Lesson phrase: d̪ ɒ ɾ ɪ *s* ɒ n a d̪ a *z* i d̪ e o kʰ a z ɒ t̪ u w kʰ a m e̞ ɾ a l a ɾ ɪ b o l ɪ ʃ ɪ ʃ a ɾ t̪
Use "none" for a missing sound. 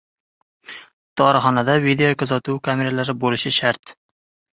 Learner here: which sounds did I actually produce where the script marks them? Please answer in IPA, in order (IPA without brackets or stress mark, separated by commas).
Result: χ, v